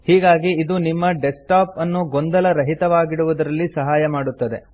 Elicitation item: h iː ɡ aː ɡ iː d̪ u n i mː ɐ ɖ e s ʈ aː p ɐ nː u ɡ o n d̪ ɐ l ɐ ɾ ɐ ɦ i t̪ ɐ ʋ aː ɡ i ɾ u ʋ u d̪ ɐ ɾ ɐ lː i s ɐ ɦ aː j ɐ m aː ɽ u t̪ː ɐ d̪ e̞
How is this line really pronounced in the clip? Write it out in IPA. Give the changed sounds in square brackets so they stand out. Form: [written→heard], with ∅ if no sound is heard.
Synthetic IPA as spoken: h iː ɡ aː ɡ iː d̪ u n i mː ɐ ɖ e s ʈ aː p ɐ nː u ɡ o n d̪ ɐ l ɐ ɾ ɐ ɦ i t̪ ɐ ʋ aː ɡ i [ɾ→ɽ] u ʋ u d̪ ɐ ɾ ɐ lː i s ɐ ɦ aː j ɐ m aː ɽ u t̪ː ɐ d̪ e̞